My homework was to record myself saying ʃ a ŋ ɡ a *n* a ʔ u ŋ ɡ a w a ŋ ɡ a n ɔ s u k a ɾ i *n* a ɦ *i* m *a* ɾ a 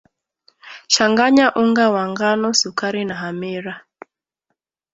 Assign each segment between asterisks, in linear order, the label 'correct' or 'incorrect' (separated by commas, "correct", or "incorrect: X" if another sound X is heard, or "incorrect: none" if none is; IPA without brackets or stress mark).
incorrect: ɲ, correct, incorrect: a, incorrect: i